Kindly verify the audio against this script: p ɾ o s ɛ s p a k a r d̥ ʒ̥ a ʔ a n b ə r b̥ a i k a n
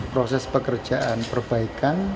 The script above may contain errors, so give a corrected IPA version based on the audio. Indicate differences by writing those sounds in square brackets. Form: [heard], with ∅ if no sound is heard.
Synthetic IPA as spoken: p ɾ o s ɛ s p [ə] k [ə] r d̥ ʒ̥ a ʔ a n [p] ə r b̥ a i k a n